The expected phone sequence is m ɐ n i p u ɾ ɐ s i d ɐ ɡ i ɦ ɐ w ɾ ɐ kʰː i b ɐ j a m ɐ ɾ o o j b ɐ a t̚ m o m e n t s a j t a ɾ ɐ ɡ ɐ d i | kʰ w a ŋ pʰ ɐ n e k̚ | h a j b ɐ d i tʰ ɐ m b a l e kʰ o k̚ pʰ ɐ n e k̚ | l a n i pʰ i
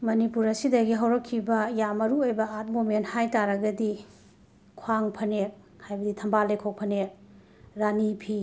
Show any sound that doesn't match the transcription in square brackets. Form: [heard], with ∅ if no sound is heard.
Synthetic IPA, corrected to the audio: m ɐ n i p u ɾ ɐ s i d ɐ ɡ i ɦ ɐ w ɾ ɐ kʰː i b ɐ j a m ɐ ɾ [u] o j b ɐ a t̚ m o m e n t [h] a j t a ɾ ɐ ɡ ɐ d i | kʰ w a ŋ pʰ ɐ n e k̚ | h a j b ɐ d i tʰ ɐ m b a l e kʰ o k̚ pʰ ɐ n e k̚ | [ɾ] a n i pʰ i